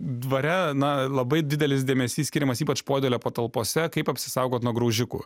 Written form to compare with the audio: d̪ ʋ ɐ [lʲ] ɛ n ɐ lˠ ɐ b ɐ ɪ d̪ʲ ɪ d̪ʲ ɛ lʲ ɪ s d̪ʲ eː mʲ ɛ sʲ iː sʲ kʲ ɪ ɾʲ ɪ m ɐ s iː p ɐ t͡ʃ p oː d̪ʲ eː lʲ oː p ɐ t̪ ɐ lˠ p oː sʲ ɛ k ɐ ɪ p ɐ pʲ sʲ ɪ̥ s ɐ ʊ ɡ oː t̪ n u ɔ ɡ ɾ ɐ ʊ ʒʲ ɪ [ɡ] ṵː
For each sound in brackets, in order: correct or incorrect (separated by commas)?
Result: incorrect, incorrect